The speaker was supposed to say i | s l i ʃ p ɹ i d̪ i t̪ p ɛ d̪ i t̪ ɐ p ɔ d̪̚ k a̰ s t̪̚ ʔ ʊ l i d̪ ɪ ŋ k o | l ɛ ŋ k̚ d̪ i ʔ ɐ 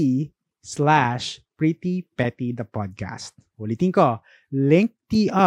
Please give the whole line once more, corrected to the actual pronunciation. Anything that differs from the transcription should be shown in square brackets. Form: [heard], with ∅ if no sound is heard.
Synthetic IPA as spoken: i | s l [a] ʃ p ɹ i [t̪] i [∅] p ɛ [t̪] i [d̪] ɐ p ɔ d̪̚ k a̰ s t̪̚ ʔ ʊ l i [t̪] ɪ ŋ k o | l ɛ ŋ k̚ [t̪] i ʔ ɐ